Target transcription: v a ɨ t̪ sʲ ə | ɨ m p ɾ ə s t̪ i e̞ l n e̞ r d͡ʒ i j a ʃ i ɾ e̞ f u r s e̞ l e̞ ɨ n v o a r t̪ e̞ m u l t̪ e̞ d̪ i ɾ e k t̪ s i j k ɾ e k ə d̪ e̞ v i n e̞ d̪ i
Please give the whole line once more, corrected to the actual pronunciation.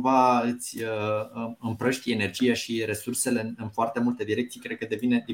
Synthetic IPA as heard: v a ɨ t̪ sʲ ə | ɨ m p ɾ ə ʃ t̪ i e̞ n e̞ r d͡ʒ i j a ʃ i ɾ e̞ s u r s e̞ l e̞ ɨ n f o a r t̪ e̞ m u l t̪ e̞ d̪ i ɾ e k t̪ s i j k ɾ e k ə d̪ e̞ v i n e̞ d̪ i